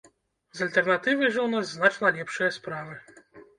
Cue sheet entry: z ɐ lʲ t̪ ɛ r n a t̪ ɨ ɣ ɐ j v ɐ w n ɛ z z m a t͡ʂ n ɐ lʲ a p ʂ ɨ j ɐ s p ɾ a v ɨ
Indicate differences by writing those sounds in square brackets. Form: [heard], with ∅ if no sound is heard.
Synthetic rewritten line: z ɐ lʲ t̪ ɛ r n a t̪ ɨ [v] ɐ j [ʐ] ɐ w n [a] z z [n] a t͡ʂ n ɐ lʲ [ɛ] p ʂ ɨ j ɐ s p ɾ a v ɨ